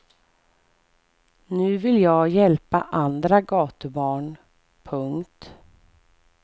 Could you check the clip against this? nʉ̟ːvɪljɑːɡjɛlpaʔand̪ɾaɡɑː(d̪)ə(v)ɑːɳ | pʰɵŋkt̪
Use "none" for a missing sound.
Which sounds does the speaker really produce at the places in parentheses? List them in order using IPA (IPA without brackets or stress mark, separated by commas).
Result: t̪, b